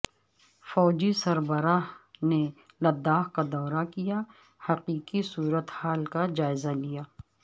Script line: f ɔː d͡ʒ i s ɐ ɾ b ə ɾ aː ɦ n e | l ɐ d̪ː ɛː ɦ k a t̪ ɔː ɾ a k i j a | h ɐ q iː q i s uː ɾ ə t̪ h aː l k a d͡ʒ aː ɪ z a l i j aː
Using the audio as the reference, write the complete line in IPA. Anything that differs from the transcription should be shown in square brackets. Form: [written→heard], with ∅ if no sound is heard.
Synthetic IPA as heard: f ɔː d͡ʒ i s ɐ ɾ b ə ɾ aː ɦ n e | l ɐ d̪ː [ɛː→aː] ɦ k a [t̪→d̪] ɔː ɾ a k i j a | h ɐ q iː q i s uː ɾ ə t̪ h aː l k a d͡ʒ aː ɪ z a l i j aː